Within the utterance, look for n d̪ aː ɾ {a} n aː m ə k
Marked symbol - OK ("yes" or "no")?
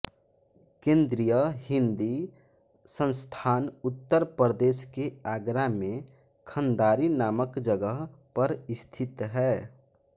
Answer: no